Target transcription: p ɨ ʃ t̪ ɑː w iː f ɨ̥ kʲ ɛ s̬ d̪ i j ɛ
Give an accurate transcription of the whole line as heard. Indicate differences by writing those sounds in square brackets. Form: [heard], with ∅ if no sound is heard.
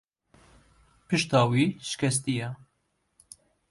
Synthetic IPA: p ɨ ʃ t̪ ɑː w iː [ʃ] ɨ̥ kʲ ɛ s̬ [t̪] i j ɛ